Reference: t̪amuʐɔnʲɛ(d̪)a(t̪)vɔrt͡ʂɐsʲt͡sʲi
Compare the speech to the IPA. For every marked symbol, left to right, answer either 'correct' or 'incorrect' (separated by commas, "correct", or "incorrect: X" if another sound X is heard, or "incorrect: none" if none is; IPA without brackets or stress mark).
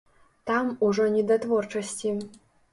correct, correct